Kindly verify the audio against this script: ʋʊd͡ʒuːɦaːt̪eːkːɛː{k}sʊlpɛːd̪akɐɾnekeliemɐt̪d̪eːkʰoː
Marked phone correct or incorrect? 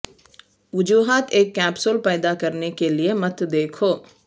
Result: incorrect